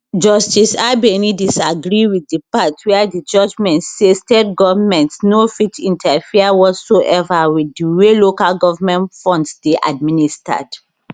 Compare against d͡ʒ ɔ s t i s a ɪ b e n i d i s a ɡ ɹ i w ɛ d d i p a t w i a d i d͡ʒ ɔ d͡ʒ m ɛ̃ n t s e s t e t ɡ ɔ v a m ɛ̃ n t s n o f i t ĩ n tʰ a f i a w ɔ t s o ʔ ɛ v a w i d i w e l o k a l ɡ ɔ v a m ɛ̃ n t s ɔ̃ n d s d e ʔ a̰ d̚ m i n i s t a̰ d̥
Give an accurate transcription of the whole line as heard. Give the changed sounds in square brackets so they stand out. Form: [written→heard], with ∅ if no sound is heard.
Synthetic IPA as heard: d͡ʒ ɔ s t i s a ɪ b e n i d i s a ɡ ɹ i w [ɛ→i] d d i p a t w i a d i d͡ʒ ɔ d͡ʒ m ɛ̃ n t s e s t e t ɡ ɔ v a m ɛ̃ n t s n o f i t ĩ n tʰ a f i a w ɔ t s o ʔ ɛ v a w i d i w e l o k a l ɡ ɔ v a m ɛ̃ n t [s→f] ɔ̃ n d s d e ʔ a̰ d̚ m i n i s t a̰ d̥